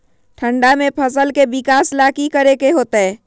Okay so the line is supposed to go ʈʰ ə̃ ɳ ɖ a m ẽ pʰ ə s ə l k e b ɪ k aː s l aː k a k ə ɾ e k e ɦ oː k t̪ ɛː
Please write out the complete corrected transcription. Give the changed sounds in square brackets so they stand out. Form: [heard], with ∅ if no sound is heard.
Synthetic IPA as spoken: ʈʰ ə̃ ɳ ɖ a m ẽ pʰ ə s ə l k e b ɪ k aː s l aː k [i] k ə ɾ e k e ɦ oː [∅] t̪ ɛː

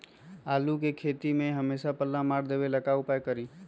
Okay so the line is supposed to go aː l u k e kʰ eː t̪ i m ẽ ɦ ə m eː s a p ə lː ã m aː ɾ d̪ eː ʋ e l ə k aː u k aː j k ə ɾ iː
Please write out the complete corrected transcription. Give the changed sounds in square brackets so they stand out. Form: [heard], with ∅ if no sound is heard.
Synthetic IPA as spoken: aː l u k e kʰ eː t̪ i m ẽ ɦ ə m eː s a p ə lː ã m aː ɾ d̪ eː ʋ e l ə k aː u [p] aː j k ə ɾ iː

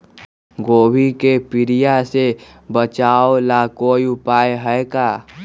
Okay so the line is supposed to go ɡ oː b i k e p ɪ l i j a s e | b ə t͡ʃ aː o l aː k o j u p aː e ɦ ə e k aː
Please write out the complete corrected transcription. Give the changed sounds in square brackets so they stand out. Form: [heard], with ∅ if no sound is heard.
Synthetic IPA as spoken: ɡ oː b i k e p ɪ [ɾ] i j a s e | b ə t͡ʃ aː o l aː k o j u p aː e ɦ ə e k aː

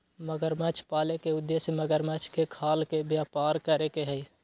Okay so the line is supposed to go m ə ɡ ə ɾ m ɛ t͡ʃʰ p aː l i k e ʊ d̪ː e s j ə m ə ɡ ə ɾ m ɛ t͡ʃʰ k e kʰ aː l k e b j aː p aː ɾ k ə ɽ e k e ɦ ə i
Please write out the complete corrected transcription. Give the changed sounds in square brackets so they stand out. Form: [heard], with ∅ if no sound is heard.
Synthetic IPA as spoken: m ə ɡ ə ɾ m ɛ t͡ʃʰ p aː l [e] k e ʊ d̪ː e s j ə m ə ɡ ə ɾ m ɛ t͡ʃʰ k e kʰ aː l k e b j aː p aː ɾ k ə [ɾ] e k e ɦ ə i

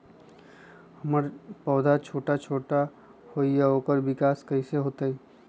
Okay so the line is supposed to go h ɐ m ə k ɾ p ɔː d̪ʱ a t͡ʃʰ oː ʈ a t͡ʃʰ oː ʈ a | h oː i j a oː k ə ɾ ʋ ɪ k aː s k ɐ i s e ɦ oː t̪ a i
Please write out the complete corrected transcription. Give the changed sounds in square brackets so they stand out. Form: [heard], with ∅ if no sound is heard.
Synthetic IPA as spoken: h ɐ m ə [∅] ɾ p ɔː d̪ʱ a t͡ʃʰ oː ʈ a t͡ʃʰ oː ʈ a | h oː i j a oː k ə ɾ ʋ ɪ k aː s k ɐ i s e ɦ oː t̪ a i

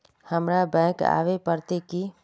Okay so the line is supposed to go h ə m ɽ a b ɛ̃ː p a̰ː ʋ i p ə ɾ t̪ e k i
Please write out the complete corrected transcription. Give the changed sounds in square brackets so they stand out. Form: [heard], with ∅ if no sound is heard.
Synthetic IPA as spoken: h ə m [ɾ] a b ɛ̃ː [k] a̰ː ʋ [e] p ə ɾ t̪ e k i

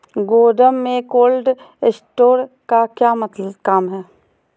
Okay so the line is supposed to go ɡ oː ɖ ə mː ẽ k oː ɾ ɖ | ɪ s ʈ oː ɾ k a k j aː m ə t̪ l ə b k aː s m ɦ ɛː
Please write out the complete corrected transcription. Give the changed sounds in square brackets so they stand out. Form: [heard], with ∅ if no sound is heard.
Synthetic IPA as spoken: ɡ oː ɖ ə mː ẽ k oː [l] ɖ | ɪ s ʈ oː ɾ k a k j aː m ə t̪ l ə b k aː [∅] m ɦ ɛː

